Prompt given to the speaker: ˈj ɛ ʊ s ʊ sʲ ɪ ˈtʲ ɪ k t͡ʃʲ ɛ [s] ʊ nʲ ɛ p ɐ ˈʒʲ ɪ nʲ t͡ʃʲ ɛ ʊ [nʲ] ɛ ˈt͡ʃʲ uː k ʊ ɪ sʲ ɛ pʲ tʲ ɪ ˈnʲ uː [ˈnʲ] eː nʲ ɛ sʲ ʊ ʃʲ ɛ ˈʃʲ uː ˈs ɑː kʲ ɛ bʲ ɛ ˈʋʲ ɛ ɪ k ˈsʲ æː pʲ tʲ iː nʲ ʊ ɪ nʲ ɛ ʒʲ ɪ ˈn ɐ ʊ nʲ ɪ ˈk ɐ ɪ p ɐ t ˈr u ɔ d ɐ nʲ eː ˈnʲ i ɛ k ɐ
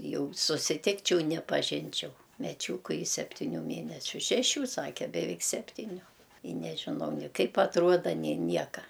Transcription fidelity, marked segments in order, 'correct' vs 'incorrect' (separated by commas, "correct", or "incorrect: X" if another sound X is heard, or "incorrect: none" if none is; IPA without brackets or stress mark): incorrect: none, incorrect: mʲ, incorrect: mʲ